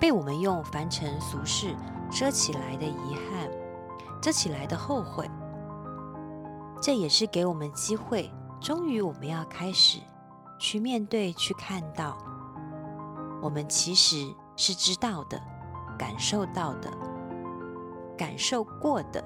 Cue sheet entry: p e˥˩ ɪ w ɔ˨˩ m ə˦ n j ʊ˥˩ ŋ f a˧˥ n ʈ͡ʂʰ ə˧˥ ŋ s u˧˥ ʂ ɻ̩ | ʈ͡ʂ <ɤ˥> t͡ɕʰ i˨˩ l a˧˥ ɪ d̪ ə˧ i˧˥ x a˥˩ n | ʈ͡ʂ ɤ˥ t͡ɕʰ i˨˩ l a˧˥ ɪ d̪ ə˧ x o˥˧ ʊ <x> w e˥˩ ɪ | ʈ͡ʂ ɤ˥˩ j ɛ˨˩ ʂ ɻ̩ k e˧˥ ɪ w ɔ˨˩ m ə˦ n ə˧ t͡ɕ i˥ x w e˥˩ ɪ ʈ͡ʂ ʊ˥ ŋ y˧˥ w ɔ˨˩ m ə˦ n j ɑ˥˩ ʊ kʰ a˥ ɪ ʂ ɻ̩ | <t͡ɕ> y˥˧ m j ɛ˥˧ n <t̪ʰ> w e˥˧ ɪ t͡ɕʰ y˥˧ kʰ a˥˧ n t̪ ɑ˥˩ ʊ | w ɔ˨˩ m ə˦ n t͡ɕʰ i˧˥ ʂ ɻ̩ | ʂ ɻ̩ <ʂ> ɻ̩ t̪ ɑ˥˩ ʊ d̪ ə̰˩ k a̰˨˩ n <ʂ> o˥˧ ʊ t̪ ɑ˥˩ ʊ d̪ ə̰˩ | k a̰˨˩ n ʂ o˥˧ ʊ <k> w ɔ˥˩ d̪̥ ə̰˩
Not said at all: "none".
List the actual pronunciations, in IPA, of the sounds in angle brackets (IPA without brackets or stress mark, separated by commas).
ɤ˥, x, t͡ɕʰ, t̪, ʈ͡ʂ, ʂ, k